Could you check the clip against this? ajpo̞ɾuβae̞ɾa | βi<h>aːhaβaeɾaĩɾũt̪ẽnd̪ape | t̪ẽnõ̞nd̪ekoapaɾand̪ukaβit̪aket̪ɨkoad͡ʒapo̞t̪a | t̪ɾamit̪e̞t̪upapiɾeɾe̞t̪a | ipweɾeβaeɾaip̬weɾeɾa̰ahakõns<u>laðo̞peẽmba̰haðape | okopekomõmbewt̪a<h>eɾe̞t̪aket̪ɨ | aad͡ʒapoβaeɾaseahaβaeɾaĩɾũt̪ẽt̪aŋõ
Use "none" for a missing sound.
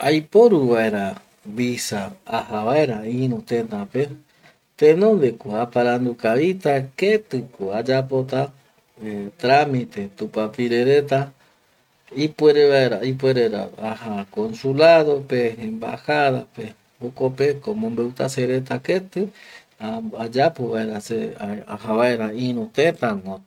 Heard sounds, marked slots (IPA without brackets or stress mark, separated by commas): s, u, s